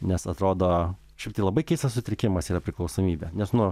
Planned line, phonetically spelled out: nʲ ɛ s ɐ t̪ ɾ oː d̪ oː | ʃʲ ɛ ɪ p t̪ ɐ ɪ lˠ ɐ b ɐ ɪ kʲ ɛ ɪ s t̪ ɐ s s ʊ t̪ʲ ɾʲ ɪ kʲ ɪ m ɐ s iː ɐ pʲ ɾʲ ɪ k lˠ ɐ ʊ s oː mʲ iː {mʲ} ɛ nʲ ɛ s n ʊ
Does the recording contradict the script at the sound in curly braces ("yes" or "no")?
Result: yes